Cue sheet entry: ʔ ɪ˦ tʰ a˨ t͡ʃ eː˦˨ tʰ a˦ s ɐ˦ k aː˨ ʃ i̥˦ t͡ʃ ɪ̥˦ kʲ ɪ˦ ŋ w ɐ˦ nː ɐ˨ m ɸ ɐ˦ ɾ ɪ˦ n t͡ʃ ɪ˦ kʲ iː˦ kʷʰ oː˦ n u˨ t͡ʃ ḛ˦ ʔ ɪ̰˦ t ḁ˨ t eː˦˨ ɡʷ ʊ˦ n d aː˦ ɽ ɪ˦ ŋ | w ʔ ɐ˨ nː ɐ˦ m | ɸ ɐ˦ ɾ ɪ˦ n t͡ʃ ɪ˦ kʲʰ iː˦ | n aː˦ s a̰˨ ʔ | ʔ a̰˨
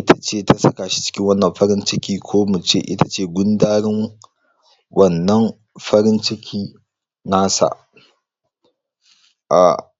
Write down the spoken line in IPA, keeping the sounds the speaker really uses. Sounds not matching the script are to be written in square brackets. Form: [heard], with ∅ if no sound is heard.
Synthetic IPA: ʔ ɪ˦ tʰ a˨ t͡ʃ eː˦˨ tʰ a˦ s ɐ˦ k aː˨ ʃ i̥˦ t͡ʃ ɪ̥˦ kʲ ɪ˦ ŋ w ɐ˦ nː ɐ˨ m ɸ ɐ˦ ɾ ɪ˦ n t͡ʃ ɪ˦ kʲ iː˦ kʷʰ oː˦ [m] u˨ t͡ʃ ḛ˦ ʔ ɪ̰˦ t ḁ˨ [t͡ʃ] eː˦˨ ɡʷ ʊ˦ n d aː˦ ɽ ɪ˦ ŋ | w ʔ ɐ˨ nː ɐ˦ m | ɸ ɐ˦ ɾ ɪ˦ n t͡ʃ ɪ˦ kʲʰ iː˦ | n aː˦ s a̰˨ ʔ | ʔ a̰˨

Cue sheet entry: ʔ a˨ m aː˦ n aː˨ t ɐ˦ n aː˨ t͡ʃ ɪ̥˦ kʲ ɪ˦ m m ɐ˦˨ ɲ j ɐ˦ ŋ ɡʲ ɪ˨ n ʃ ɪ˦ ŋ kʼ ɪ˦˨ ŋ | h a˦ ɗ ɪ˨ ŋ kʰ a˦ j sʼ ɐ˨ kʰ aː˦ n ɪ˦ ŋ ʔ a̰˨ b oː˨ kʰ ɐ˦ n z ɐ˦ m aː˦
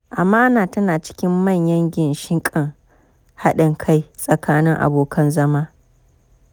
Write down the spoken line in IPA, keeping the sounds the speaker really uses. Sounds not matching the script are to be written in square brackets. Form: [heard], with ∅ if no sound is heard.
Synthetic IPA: ʔ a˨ m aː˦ n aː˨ t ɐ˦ n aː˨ t͡ʃ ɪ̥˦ kʲ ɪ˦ m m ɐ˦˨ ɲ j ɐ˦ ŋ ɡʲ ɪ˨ n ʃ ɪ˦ ŋ kʼ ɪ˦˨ ŋ | h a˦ ɗ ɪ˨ ŋ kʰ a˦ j sʼ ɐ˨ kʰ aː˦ n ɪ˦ ŋ ʔ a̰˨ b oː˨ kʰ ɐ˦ n z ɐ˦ m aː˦

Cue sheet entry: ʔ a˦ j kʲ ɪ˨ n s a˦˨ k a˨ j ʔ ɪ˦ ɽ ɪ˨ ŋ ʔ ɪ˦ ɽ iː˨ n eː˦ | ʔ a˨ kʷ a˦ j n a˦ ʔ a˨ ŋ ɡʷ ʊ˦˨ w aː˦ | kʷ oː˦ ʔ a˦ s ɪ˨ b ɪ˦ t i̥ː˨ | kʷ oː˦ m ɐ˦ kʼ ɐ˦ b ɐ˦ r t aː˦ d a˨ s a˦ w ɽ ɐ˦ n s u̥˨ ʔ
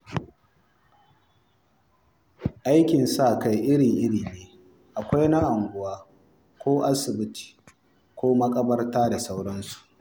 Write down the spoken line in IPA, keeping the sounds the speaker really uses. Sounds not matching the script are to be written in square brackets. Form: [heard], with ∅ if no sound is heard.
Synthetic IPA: ʔ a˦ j kʲ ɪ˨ n s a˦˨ k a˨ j ʔ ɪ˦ ɽ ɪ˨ ŋ ʔ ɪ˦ ɽ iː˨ n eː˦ | ʔ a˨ kʷ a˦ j n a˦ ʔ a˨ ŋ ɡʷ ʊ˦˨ w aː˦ | kʷ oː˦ ʔ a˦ s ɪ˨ b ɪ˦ t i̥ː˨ | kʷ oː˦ m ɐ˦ kʼ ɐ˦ b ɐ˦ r t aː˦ d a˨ s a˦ w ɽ ɐ˦ n s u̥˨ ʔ

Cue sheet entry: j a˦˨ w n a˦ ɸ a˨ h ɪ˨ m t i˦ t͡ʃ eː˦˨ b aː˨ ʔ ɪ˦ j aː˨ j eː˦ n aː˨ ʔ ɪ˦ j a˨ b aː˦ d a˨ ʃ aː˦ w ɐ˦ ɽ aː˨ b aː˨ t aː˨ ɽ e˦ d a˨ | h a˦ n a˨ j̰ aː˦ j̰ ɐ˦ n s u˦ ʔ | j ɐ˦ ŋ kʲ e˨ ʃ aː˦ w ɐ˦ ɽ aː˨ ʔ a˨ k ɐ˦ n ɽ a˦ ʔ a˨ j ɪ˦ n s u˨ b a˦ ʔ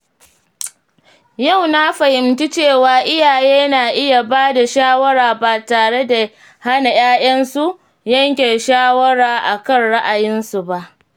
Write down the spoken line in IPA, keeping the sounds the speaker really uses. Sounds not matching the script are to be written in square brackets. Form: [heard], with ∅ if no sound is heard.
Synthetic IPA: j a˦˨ w n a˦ ɸ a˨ h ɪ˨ m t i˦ t͡ʃ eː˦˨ [w] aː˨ ʔ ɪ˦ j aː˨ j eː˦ n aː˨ ʔ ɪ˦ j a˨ b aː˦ d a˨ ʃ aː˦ w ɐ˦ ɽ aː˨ b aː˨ t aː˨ ɽ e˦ d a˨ | h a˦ n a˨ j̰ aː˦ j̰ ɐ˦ n s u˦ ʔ | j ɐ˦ ŋ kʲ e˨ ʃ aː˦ w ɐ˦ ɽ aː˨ ʔ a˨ k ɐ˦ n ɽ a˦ ʔ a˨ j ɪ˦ n s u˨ b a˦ ʔ

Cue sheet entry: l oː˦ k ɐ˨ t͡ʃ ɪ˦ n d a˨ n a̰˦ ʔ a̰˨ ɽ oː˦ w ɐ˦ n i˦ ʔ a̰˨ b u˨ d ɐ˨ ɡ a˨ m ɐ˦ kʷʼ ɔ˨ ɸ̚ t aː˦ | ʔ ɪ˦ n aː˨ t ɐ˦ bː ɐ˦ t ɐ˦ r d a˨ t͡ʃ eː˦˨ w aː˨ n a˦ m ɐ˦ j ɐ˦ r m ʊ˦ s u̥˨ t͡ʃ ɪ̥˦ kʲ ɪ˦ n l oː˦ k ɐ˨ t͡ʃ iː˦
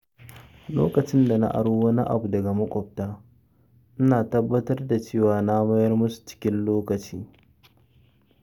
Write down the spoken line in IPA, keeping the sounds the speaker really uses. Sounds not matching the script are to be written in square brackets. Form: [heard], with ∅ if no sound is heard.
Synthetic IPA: l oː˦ k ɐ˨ t͡ʃ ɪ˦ n d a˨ n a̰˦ ʔ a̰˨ ɽ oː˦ w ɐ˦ n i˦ ʔ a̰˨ b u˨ d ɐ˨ ɡ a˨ m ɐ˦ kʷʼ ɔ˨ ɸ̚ t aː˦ | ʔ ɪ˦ n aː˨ t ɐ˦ bː ɐ˦ t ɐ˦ r d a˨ t͡ʃ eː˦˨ w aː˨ n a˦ m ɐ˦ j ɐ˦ r m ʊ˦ s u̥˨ t͡ʃ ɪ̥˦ kʲ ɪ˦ n l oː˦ k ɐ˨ t͡ʃ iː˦

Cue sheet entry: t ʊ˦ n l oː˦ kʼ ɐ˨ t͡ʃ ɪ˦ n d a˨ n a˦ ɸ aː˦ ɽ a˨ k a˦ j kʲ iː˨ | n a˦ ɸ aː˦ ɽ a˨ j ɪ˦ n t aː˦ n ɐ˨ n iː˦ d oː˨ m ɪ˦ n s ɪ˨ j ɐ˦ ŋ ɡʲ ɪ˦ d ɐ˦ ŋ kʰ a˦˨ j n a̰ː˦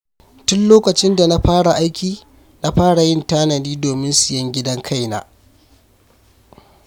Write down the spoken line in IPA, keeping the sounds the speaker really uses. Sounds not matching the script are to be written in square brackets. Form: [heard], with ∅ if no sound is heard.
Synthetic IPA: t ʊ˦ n l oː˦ [k] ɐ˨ t͡ʃ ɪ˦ n d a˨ n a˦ ɸ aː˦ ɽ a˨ [ʔ] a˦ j kʲ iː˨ | n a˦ ɸ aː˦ ɽ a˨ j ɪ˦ n t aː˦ n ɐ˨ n iː˦ d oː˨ m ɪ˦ n s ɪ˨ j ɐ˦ ŋ ɡʲ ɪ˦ d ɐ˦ ŋ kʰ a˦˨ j n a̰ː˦

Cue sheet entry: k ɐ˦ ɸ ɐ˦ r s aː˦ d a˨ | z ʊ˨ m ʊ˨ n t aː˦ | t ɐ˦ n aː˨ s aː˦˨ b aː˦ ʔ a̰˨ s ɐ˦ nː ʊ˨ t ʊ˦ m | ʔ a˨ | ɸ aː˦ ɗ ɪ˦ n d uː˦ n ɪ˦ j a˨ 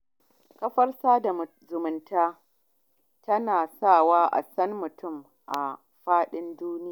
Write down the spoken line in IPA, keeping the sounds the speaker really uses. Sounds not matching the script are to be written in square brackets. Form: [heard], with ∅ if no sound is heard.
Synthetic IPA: k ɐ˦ ɸ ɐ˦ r s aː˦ d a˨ | z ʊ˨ m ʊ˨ n t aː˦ | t ɐ˦ n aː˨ s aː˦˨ [w] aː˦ ʔ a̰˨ s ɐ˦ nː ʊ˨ t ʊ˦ m | ʔ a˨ | ɸ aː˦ ɗ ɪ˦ n d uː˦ n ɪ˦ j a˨

